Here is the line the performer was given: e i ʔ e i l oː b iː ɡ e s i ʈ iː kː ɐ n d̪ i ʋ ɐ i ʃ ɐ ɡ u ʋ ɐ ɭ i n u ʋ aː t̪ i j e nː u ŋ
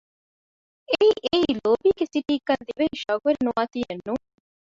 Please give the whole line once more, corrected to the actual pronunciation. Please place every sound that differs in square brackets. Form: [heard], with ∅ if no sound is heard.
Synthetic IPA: e i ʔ e i l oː b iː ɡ e s i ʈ iː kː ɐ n d̪ i ʋ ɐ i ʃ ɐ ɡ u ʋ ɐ [ɾ] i n u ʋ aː t̪ i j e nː u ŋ